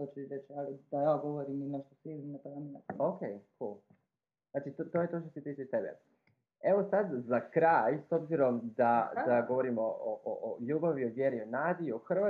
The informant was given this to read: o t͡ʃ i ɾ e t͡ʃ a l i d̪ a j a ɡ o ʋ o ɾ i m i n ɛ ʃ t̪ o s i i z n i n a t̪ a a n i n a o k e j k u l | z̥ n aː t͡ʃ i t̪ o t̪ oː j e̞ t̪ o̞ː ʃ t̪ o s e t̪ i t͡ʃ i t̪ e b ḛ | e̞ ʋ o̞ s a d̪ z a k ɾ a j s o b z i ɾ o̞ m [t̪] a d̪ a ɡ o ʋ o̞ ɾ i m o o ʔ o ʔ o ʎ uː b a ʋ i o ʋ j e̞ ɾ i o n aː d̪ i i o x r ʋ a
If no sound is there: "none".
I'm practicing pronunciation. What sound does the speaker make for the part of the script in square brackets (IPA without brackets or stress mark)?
d̪